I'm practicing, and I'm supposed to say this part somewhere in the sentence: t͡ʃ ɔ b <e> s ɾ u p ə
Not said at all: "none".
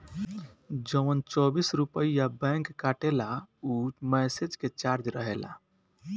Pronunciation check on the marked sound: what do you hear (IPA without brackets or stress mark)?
i